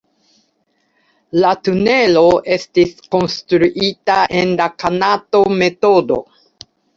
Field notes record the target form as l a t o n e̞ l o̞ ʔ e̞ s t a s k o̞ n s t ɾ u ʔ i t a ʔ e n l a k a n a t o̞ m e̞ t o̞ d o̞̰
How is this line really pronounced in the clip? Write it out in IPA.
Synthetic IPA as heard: l a t u n e̞ l o̞ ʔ e̞ s t i s k o̞ n s t ɾ u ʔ i t a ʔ e n l a k a n a t o̞ m e̞ t o̞ d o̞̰